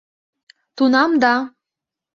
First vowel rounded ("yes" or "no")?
yes